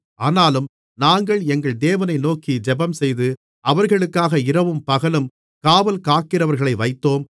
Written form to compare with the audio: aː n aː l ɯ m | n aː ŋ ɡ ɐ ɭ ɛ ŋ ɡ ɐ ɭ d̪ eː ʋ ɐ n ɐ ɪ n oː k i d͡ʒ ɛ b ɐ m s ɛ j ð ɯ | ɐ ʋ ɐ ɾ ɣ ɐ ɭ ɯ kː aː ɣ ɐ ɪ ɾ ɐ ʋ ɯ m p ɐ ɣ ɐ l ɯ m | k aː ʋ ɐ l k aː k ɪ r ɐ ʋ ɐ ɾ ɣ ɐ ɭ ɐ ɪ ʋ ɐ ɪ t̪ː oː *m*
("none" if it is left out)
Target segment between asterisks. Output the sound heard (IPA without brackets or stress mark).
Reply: m